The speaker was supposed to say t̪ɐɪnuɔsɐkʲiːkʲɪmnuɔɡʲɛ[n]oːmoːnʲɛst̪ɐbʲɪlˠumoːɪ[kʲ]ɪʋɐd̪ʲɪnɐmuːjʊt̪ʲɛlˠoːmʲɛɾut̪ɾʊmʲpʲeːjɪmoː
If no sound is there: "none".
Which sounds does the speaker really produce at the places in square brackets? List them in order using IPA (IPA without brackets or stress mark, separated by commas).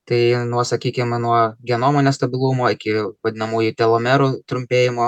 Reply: n, kʲ